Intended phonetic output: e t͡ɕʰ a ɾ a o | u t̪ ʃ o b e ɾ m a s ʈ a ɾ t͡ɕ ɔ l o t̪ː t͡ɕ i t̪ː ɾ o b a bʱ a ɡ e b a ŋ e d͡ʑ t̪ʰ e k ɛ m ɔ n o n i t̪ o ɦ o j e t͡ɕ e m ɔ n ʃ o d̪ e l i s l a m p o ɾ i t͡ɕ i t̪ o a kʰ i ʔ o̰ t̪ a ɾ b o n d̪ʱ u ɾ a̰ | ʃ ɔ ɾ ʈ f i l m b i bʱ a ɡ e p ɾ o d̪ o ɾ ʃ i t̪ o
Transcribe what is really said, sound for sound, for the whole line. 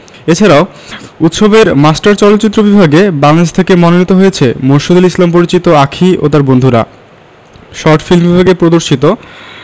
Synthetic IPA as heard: e t͡ɕʰ a ɾ a o | u t̪ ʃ o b e ɾ m a s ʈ a ɾ t͡ɕ ɔ l o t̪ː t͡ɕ i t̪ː ɾ o b i bʱ a ɡ e b a ŋ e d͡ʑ t̪ʰ e k e m ɔ n o n i t̪ o ɦ o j e t͡ɕʰ e m o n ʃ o d̪ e l i s l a m p o ɾ i t͡ɕ i t̪ o a kʰ i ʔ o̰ t̪ a ɾ b o n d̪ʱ u ɾ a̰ | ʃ ɔ ɾ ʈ f i l m b i bʱ a ɡ e p ɾ o d̪ o ɾ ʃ i t̪ o